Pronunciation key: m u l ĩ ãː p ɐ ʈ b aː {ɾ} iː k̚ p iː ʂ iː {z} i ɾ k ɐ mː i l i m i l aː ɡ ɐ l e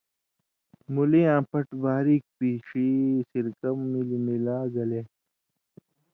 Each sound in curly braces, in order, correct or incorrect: correct, incorrect

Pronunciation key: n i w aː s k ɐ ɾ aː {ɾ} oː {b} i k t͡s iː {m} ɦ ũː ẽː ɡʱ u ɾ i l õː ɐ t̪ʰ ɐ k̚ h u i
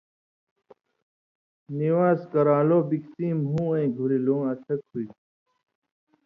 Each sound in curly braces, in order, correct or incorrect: incorrect, correct, correct

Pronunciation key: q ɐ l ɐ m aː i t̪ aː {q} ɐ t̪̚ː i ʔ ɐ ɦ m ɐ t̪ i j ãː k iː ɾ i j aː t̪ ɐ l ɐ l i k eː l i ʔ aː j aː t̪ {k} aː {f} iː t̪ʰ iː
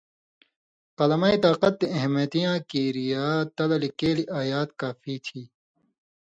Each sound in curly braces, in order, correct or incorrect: correct, correct, correct

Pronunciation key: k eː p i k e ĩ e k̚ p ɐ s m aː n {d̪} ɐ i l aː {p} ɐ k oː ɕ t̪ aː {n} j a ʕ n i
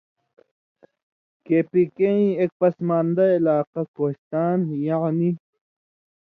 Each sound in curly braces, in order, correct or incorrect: correct, incorrect, correct

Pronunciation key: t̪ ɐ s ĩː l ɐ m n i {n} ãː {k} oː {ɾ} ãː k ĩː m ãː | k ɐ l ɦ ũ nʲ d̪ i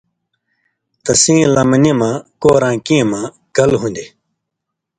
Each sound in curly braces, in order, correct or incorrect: incorrect, correct, correct

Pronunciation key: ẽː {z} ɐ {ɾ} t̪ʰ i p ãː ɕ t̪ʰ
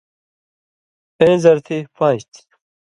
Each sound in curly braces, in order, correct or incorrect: correct, correct

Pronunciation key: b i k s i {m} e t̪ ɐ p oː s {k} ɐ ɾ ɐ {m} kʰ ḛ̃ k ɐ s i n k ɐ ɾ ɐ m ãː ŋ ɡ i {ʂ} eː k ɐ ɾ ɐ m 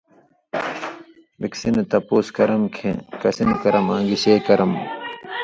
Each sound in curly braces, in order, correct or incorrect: incorrect, correct, correct, incorrect

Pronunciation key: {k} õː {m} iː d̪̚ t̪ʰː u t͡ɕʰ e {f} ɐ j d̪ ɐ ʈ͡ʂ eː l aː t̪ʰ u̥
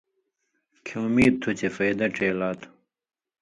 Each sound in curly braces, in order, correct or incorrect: incorrect, correct, correct

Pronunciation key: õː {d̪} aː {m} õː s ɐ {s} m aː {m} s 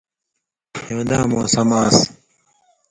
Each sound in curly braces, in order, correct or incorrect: correct, correct, incorrect, incorrect

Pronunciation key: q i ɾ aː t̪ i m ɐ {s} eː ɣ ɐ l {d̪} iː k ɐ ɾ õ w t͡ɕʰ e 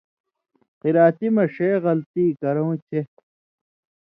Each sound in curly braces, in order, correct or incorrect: incorrect, incorrect

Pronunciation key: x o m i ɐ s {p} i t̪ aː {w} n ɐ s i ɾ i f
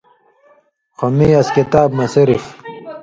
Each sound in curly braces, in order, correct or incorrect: incorrect, incorrect

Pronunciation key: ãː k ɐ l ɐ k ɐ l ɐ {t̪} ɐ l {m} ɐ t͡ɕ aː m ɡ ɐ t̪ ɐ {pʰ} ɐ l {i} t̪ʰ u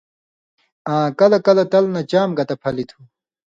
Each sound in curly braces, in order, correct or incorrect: correct, incorrect, correct, correct

